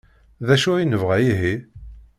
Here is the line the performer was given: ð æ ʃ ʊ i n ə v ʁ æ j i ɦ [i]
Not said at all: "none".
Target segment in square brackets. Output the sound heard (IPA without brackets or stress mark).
i